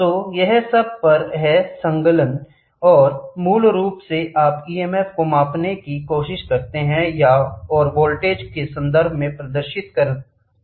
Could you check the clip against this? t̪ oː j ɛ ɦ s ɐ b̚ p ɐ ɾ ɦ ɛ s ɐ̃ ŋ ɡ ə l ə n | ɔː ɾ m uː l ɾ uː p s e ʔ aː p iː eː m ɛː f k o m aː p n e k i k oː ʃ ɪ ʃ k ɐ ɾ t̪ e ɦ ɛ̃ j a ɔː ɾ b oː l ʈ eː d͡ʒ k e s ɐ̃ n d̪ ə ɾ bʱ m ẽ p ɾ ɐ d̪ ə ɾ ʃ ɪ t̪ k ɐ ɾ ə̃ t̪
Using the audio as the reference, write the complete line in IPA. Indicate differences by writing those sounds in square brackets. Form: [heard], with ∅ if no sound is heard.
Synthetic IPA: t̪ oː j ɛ ɦ s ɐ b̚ p ɐ ɾ ɦ ɛ s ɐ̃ ŋ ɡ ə l ə n | ɔː ɾ m uː l ɾ uː p s e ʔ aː p iː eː m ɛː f k o m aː p n e k i k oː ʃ ɪ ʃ k ɐ ɾ t̪ e ɦ ɛ̃ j a ɔː ɾ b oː l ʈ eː d͡ʒ k e s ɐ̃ n d̪ ə ɾ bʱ m ẽ p ɾ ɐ d̪ ə ɾ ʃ ɪ t̪ k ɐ ɾ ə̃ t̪